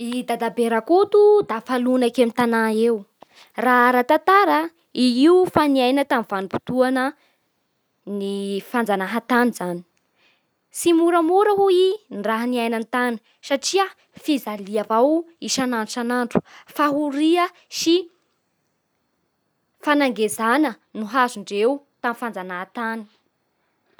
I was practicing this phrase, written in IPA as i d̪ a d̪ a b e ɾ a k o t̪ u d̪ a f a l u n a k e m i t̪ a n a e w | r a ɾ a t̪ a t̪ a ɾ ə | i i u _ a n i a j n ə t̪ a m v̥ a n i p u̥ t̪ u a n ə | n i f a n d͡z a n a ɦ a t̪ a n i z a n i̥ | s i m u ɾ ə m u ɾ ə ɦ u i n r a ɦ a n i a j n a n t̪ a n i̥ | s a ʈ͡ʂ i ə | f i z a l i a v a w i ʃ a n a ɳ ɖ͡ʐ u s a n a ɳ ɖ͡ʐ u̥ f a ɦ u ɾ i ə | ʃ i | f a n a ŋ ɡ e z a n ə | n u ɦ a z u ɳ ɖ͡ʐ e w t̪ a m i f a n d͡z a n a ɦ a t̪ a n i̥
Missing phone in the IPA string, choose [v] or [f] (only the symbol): f